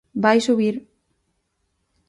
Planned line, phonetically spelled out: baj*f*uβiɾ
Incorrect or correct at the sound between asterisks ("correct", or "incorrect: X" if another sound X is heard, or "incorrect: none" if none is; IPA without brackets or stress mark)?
incorrect: s